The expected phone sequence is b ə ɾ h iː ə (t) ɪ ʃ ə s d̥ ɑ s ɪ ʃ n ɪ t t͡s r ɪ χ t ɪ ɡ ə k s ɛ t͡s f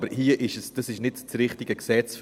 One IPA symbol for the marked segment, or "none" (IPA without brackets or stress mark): ʔ